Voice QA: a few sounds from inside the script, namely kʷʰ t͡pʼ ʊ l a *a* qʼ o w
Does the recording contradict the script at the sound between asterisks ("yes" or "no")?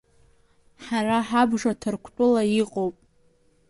yes